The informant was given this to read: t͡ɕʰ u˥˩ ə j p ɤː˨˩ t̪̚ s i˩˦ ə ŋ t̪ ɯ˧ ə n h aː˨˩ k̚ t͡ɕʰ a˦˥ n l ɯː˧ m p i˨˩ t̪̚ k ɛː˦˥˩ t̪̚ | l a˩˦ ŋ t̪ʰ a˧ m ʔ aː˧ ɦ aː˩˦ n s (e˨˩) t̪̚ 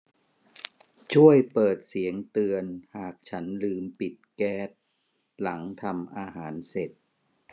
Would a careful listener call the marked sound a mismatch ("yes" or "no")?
no